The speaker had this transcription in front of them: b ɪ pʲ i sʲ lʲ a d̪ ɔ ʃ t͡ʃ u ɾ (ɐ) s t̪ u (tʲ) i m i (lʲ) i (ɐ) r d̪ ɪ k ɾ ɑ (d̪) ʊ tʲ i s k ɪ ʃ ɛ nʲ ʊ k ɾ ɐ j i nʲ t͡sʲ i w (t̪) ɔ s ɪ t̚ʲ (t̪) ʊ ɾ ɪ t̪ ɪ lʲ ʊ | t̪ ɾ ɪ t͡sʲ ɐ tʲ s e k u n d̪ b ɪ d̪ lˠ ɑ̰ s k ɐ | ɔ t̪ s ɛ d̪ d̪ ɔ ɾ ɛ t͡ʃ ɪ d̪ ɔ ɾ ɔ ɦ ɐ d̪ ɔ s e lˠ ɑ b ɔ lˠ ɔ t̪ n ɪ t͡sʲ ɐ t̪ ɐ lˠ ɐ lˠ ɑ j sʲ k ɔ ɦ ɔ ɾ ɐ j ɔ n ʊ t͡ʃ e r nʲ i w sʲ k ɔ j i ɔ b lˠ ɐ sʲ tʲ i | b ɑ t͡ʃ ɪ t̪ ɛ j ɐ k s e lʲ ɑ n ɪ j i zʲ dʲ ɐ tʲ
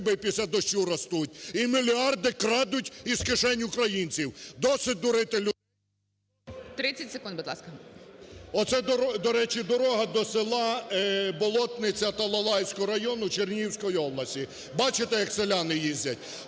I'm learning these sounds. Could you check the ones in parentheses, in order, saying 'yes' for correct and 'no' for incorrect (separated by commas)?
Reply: yes, yes, yes, no, yes, no, no